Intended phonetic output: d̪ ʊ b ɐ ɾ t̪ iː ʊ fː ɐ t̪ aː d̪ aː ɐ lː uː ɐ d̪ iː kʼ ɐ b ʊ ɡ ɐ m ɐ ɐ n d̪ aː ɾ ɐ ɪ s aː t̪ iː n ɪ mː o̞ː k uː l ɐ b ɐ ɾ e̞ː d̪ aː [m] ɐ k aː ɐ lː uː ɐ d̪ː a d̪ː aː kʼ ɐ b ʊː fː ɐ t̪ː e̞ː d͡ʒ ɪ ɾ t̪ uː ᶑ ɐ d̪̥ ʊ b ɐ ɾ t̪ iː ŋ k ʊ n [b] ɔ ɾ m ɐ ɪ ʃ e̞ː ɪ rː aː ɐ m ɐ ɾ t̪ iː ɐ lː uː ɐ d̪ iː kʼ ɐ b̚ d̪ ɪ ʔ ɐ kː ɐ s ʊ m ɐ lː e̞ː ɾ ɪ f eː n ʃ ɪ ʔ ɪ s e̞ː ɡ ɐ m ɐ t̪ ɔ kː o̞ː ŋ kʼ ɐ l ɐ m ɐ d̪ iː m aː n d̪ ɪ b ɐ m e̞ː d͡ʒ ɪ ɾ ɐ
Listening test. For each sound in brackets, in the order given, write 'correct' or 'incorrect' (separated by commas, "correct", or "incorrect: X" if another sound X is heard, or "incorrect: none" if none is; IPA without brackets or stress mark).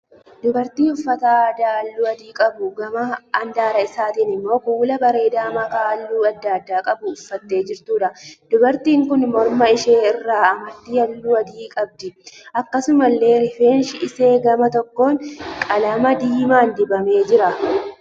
correct, incorrect: m